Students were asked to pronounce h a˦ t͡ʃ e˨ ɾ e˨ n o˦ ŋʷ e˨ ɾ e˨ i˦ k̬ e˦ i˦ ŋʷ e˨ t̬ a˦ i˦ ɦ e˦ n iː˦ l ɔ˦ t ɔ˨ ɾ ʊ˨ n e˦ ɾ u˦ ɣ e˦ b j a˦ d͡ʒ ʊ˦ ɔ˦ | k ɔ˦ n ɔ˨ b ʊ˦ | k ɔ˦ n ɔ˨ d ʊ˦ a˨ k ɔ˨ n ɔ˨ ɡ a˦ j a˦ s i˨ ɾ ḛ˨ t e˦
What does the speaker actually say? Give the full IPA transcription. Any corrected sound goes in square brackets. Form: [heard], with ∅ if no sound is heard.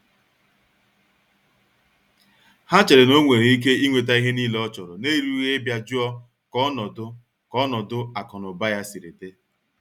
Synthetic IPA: h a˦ t͡ʃ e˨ ɾ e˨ n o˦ ŋʷ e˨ ɾ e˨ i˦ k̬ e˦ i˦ ŋʷ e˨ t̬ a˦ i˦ ɦ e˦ n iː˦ l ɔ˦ [t͡ʃ] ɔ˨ ɾ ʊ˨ n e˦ ɾ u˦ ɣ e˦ b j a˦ d͡ʒ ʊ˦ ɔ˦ | k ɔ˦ n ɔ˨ [d] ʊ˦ | k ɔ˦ n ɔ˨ d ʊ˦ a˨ k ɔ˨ n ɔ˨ [b] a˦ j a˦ s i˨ ɾ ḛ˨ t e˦